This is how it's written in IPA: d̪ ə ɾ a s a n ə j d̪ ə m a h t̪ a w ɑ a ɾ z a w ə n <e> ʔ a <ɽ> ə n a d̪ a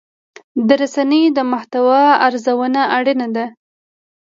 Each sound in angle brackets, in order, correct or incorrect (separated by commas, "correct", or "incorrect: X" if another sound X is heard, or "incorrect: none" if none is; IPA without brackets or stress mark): incorrect: a, correct